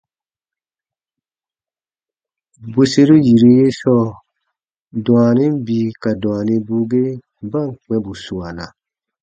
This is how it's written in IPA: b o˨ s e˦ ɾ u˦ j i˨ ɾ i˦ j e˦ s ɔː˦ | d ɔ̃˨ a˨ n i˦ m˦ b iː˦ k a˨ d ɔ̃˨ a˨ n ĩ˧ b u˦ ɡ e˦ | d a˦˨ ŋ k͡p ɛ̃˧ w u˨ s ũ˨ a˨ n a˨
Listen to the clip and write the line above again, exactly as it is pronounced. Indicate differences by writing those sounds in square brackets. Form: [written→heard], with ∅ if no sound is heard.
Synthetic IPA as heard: b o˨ s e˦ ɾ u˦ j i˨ ɾ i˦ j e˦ s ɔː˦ | d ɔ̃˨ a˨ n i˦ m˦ b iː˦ k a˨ d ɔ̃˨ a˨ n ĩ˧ b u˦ ɡ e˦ | [d→b] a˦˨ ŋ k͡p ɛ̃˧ [w→b] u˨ s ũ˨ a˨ n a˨